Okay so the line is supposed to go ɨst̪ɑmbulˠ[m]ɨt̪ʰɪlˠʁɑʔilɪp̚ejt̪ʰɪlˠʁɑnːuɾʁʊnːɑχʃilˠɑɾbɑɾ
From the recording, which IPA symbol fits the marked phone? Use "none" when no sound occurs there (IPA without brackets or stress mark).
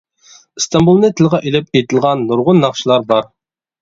n